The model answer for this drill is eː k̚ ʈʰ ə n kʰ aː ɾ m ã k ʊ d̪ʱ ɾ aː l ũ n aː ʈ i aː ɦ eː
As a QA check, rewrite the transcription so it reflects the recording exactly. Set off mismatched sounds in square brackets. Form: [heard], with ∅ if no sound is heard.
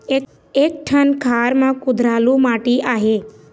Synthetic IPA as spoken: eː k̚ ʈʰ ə n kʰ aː ɾ m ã k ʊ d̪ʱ ɾ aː l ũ [m] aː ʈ i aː ɦ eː